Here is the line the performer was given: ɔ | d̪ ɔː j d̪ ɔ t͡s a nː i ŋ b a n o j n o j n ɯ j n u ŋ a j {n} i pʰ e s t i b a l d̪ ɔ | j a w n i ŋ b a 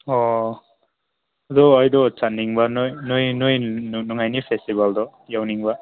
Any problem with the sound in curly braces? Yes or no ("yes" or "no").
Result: no